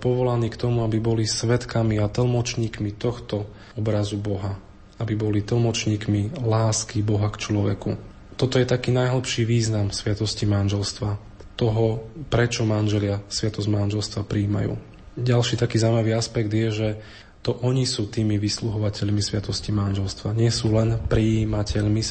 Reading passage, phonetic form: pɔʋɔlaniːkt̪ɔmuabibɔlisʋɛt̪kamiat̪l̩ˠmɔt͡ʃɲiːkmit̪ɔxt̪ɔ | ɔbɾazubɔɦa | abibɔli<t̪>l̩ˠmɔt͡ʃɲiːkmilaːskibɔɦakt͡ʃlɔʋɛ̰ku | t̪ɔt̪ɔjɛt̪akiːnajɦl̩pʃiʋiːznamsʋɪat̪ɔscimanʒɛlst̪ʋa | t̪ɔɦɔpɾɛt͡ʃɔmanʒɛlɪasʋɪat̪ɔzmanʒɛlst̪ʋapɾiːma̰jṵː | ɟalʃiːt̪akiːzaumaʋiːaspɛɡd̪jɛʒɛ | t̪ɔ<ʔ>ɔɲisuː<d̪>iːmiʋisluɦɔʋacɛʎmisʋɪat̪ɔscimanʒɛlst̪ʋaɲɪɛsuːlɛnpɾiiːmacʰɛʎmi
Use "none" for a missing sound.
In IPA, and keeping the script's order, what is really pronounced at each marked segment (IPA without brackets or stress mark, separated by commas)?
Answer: t̪, ʔ, t̪